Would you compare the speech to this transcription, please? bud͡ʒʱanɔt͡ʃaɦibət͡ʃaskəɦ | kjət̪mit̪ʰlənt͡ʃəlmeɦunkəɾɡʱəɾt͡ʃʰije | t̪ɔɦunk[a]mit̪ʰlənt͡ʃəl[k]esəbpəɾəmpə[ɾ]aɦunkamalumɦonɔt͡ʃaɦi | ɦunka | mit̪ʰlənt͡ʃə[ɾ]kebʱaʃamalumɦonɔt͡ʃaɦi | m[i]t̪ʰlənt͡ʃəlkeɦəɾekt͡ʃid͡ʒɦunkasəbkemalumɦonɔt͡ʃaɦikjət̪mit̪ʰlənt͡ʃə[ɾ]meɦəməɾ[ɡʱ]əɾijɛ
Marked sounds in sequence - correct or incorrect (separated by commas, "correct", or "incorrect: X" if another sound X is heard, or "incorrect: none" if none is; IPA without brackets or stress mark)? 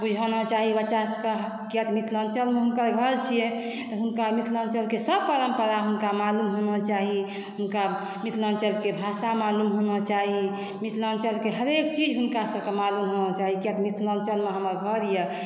correct, correct, correct, incorrect: l, correct, incorrect: l, correct